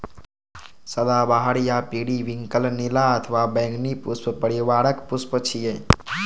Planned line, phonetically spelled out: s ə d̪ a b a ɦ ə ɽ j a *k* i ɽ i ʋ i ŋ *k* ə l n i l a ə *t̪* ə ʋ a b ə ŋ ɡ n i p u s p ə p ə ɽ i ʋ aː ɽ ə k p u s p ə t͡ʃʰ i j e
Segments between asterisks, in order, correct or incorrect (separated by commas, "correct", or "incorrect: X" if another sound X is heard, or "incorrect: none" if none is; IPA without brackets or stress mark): incorrect: p, correct, incorrect: t̪ʰ